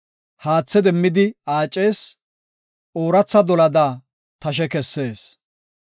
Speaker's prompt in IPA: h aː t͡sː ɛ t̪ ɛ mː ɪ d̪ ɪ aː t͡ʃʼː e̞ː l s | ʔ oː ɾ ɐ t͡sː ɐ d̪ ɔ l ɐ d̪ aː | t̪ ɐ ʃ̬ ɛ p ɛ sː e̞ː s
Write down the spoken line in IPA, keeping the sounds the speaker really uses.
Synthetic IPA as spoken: h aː t͡sː ɛ d̪ ɛ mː ɪ d̪ ɪ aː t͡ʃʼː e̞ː s | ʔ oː ɾ ɐ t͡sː ɐ d̪ ɔ l ɐ d̪ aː | t̪ ɐ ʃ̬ ɛ k ɛ sː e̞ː s